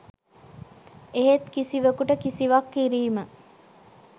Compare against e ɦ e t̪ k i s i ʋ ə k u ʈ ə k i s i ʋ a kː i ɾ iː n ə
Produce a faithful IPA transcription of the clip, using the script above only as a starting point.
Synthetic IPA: e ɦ e t̪ k i s i ʋ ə k u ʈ ə k i s i ʋ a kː i ɾ iː m ə